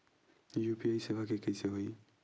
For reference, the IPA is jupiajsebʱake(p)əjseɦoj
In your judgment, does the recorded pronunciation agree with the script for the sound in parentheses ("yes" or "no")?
no